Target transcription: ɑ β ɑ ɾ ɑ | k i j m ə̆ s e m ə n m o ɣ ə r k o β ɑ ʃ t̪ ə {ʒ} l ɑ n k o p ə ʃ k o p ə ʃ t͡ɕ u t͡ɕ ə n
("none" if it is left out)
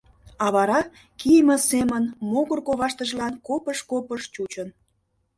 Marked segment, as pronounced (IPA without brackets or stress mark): ʒ